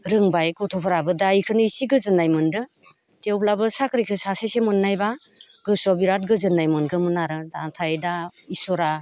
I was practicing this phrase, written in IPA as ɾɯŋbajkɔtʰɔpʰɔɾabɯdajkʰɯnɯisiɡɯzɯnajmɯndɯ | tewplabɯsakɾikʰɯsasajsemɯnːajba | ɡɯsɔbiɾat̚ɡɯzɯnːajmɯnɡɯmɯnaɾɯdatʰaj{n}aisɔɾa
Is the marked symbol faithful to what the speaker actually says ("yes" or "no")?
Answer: no